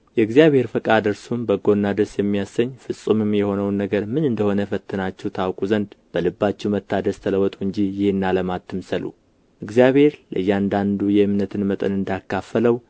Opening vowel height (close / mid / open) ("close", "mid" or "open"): mid